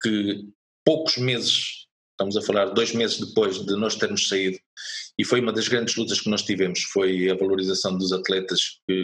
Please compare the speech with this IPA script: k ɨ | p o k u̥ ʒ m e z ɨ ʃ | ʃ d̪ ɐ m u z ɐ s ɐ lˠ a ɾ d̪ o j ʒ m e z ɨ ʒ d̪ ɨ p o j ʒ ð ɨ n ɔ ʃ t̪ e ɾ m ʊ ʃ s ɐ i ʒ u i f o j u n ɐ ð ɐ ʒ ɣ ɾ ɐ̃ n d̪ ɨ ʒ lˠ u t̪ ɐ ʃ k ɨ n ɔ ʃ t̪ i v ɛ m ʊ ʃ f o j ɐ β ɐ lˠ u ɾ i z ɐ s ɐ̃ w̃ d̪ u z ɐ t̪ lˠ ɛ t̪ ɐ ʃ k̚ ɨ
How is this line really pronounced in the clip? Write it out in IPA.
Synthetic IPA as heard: k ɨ | p o k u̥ ʒ m e z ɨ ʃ | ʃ t̪ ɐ m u z ɐ f ɐ lˠ a ɾ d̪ o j ʒ m e z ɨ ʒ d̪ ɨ p o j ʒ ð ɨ n ɔ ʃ t̪ e ɾ m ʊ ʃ s ɐ i ð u i f o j u m ɐ ð ɐ ʒ ɣ ɾ ɐ̃ n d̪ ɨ ʒ lˠ u t̪ ɐ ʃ k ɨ n ɔ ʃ t̪ i v ɛ m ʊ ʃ f o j ɐ v ɐ lˠ u ɾ i z ɐ s ɐ̃ w̃ d̪ u z ɐ t̪ lˠ ɛ t̪ ɐ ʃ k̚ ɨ